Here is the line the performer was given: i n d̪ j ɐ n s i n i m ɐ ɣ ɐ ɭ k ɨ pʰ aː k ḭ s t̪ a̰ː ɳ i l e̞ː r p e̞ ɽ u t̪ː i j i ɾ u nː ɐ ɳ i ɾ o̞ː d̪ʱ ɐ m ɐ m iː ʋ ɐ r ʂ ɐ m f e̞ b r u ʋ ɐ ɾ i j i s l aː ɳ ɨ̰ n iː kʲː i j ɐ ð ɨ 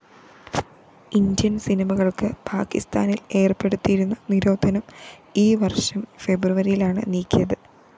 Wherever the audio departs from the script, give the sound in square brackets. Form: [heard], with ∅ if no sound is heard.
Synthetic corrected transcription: i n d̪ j ɐ n s i n i m ɐ ɣ ɐ ɭ k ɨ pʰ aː k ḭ s t̪ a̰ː [n] i l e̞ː r p e̞ ɽ u t̪ː i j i ɾ u nː ɐ [n] i ɾ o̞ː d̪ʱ ɐ [n] ɐ m iː ʋ ɐ r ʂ ɐ m f e̞ b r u ʋ ɐ ɾ i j i [∅] l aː ɳ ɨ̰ n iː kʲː i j ɐ ð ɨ